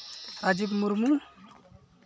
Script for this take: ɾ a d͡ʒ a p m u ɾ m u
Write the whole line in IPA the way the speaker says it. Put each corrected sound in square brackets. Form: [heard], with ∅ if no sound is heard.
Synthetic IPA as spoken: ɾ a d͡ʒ [i] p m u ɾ m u